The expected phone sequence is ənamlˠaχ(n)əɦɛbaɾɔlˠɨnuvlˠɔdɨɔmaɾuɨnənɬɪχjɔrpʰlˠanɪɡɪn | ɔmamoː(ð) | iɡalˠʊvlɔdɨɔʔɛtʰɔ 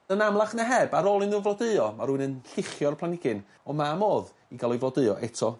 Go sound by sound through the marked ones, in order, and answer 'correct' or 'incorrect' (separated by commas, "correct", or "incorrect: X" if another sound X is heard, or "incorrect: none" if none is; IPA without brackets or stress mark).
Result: correct, correct